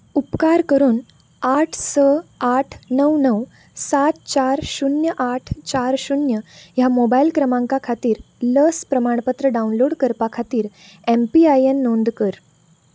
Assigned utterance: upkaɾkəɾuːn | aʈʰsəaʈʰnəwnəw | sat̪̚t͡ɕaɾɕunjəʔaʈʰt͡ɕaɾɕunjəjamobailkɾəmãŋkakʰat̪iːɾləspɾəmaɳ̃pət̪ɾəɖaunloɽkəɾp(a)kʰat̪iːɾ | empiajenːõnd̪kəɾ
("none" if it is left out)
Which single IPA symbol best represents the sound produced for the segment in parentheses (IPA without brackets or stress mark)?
a